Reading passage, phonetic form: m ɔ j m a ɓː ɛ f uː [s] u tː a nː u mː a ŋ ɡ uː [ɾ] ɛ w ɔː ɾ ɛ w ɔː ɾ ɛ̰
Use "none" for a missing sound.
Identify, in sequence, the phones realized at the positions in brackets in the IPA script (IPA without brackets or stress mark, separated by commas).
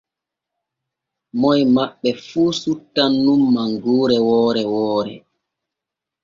s, ɾ